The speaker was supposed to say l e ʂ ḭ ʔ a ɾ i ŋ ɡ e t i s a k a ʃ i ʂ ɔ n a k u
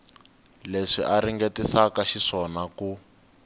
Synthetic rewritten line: l e ʂ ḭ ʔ a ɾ i ŋ ɡ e t i s a k a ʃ i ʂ ɔ n a k u

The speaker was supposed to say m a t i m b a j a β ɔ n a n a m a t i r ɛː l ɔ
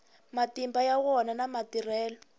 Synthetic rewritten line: m a t i m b a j a w ɔ n a n a m a t i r ɛː l ɔ

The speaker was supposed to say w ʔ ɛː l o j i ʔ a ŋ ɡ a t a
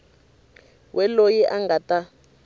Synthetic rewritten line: w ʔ ɛ l o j i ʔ a ŋ ɡ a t a

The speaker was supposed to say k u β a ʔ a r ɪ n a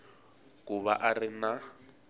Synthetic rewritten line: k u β a ʔ a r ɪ n a

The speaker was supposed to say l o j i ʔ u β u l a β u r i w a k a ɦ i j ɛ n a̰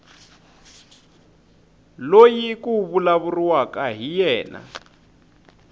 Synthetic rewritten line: l o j i k u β u l a β u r i w a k a ɦ i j ɛː n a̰

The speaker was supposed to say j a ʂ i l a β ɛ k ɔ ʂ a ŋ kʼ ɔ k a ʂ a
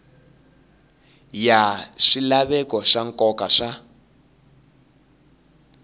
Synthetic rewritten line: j a ʂ i l a β ɛ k ɔ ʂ a ŋ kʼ ɔ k a ʂ a

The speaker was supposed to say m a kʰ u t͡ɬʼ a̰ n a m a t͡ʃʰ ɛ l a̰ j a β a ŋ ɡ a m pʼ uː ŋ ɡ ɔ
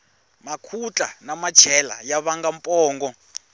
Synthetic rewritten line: m a kʰ u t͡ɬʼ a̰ n a m a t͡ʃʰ ɛ l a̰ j a β a ŋ ɡ a m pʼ ɔː ŋ ɡ ɔ

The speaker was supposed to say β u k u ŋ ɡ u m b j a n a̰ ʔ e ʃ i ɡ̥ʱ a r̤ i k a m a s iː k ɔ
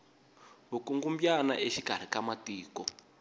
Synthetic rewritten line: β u k u ŋ ɡ u m b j a n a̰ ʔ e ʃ i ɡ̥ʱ a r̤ i k a m a t iː k ɔ

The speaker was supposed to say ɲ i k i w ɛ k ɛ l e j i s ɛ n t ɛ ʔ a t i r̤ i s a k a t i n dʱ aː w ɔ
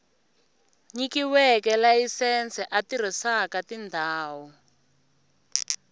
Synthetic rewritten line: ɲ i k i w ɛ k ɛ l a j i s ɛ n t͡s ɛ ʔ a t i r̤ i s a k a t i n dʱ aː w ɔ

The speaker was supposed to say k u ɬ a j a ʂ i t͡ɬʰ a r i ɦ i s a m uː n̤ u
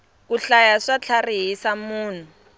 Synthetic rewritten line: k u ɬ a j a ʂ a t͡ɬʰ a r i ɦ i s a m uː n̤ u

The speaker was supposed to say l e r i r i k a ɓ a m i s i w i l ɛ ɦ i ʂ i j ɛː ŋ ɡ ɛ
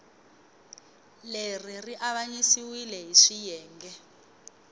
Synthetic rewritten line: l e r i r i ʔ a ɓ a ɲ i s i w i l ɛ ɦ i ʂ i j ɛː ŋ ɡ ɛ

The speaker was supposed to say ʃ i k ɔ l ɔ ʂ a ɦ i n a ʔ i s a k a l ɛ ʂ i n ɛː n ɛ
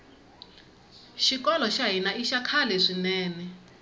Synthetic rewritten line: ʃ i k ɔ l ɔ ʃ a ɦ i n a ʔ i ʃ a kʰ a l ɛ ʂ i n ɛː n ɛ

